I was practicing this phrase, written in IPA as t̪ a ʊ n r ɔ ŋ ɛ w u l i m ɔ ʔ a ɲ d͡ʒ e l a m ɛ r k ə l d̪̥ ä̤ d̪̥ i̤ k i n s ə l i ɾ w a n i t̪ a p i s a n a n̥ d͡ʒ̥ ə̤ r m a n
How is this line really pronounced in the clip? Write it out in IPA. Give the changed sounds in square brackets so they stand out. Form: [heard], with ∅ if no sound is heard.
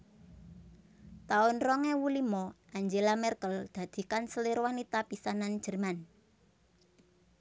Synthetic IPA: t̪ a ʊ n r ɔ ŋ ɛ w u l i m ɔ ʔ a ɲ d͡ʒ e l a m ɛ r k ə l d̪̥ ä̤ d̪̥ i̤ k [a] n s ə l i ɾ w a n i t̪ a p i s a n a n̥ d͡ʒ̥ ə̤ r m a n